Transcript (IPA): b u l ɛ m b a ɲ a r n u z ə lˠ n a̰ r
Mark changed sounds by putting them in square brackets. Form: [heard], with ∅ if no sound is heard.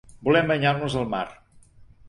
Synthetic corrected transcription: b u l ɛ m b [ə] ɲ a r n u z ə lˠ [m] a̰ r